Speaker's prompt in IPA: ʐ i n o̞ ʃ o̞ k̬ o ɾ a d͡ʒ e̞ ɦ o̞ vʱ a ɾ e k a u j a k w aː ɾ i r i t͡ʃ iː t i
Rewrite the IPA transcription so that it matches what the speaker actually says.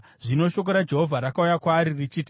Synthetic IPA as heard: ʐ i n o̞ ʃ o̞ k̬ o ɾ a d͡ʒ e̞ ɦ o̞ vʱ a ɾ a k a u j a k w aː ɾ i r i t͡ʃ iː t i

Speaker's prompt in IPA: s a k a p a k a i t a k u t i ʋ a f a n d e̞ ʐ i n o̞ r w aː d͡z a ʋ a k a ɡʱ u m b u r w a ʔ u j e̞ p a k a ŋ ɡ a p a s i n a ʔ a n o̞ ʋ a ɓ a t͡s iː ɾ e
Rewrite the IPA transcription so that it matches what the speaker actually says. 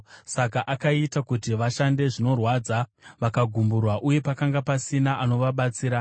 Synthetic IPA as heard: s a k a ʔ a k a i t a k u t i ʋ a ʃ a n d e̞ ʐ i n o̞ r w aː d͡z a ʋ a k a ɡʱ u m b u r w a ʔ u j e̞ p a k a ŋ ɡ a p a s i n a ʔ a n o̞ ʋ a ɓ a t͡s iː ɾ a

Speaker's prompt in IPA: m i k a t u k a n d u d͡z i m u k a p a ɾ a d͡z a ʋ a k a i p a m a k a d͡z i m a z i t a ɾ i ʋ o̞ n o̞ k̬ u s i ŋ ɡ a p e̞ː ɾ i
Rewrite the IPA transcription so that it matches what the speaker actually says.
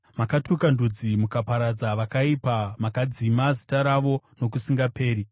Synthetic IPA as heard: m a k a t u k a n d u d͡z i m u k a p a ɾ a d͡z a ʋ a k a i p a m a k a d͡z i m a z i t a ɾ a ʋ o̞ n o̞ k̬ u s i ŋ ɡ a p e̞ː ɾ i

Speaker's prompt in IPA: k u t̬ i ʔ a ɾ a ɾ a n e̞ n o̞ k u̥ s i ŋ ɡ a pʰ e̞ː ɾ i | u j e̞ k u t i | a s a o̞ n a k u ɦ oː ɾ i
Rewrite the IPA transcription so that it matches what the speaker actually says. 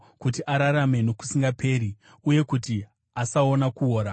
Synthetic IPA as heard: k u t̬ i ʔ a ɾ a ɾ a m e̞ n o̞ k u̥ s i ŋ ɡ a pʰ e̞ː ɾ i | u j e̞ k u t i | a s a o̞ n a k u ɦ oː ɾ a

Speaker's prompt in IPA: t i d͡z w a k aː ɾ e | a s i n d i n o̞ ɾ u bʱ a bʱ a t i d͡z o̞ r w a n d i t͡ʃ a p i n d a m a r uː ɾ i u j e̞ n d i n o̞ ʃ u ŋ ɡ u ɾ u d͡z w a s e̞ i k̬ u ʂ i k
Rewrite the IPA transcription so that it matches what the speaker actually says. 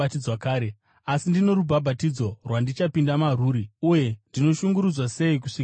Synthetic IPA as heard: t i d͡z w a k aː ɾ e | a s i n d i n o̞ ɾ u bʱ a bʱ a t i d͡z o̞ r w a n d i t͡ʃ a p i n d a m a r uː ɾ i u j e̞ n d i n o̞ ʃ u ŋ ɡ u ɾ u d͡z w a s e̞ i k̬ u ʂ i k

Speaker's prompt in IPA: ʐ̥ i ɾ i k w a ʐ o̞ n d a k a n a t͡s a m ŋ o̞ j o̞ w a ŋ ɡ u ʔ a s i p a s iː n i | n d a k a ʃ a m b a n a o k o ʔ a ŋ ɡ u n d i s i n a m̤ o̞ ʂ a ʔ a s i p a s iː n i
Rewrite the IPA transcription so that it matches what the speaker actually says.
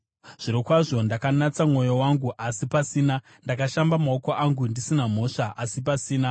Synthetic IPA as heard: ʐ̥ i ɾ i k w a ʐ o̞ n d a k a n a t͡s a m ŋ o̞ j o̞ w a ŋ ɡ u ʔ a s i p a s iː n a | n d a k a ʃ a m b a m a o k o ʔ a ŋ ɡ u n d i s i n a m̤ o̞ ʂ a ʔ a s i p a s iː n a

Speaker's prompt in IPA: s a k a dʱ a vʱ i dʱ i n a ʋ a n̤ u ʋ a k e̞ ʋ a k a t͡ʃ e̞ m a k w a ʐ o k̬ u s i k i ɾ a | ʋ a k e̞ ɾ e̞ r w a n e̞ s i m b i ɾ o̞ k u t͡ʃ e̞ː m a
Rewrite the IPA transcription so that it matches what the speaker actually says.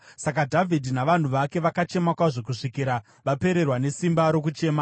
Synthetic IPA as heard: s a k a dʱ a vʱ i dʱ i n a ʋ a n̤ u ʋ a k e̞ ʋ a k a t͡ʃ e̞ m a k w a ʐ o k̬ u ʂ i k i ɾ a | ʋ a p e̞ ɾ e̞ r w a n e̞ s i m b a ɾ o̞ k u t͡ʃ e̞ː m a

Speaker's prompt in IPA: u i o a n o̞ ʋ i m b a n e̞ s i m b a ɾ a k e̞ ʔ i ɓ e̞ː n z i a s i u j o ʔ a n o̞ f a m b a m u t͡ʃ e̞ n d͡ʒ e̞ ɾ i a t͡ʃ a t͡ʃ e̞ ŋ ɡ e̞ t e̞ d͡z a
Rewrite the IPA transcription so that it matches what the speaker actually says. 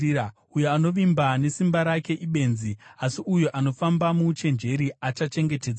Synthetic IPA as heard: u j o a n o̞ ʋ i m b a n e̞ s i m b a ɾ a k e̞ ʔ i ɓ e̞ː n z i a s i u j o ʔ a n o̞ f a m b a m u t͡ʃ e̞ n d͡ʒ e̞ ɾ i a t͡ʃ a t͡ʃ e̞ ŋ ɡ e̞ t e̞ d͡z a

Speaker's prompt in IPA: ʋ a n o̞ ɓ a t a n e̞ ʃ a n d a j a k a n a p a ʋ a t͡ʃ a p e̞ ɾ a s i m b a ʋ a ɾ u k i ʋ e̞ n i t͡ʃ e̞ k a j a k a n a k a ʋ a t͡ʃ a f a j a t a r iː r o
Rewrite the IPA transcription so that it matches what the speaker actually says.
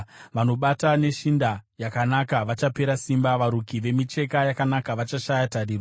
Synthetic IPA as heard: ʋ a n o̞ ɓ a t a n e̞ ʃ i n d a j a k a n a k a ʋ a t͡ʃ a p e̞ ɾ a s i m b a ʋ a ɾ u k i ʋ e̞ m i t͡ʃ e̞ k a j a k a n a k a ʋ a t͡ʃ a ʃ a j a t a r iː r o

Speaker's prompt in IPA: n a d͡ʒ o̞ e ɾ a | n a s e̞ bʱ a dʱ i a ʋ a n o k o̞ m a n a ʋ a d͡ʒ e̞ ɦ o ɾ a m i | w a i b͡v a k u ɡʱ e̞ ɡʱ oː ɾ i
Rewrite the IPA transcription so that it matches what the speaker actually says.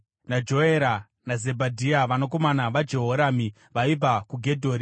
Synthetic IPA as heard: n a d͡ʒ o̞ e ɾ a | n a z e̞ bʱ a dʱ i a ʋ a n o k o̞ m a n a ʋ a d͡ʒ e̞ ɦ o ɾ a m i | ʋ a i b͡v a k u ɡʱ e̞ dʱ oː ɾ i

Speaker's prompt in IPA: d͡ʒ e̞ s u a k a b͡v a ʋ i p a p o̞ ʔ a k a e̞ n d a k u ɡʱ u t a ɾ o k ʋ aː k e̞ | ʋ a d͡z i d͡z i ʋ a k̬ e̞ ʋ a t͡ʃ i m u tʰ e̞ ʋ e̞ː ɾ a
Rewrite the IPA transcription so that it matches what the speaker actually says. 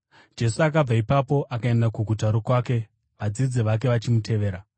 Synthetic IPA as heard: d͡ʒ e̞ s u a k a b͡v a i p a p o̞ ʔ a k a e̞ n d a k u ɡʱ u t a ɾ o k w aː k e̞ | ʋ a d͡z i d͡z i ʋ a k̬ e̞ ʋ a t͡ʃ i m u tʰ e̞ ʋ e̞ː ɾ a

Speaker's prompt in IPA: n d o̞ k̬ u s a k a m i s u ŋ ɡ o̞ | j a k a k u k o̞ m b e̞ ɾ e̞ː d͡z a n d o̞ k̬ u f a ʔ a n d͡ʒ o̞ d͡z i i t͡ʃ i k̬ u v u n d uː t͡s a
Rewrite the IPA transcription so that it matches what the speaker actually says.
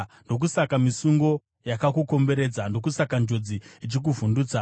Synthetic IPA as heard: n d o̞ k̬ u s a k a m i s u ŋ ɡ o̞ | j a k a k u k o̞ m b e̞ ɾ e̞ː d͡z a n d o̞ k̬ u s a k a n d͡ʒ o̞ d͡z i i t͡ʃ i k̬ u v u n d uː t͡s a

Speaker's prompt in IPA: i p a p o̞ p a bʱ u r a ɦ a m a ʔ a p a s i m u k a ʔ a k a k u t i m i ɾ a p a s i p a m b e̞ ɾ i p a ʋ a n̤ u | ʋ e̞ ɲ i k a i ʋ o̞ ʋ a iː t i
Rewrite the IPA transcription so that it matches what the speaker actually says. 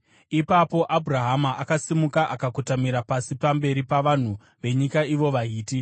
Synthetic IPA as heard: i p a p o̞ ʔ a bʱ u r a ɦ a m a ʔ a k a s i m u k a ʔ a k a k u t a m i ɾ a p a s i p a m b e̞ ɾ i p a ʋ a n̤ u | ʋ e̞ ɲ i k a i ʋ o̞ ʋ a iː t i

